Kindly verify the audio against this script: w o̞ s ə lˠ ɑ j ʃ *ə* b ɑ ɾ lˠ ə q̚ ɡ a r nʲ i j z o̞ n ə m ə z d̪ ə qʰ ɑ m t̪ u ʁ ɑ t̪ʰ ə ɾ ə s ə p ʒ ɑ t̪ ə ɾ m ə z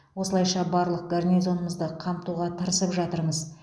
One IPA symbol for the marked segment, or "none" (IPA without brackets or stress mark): ɑ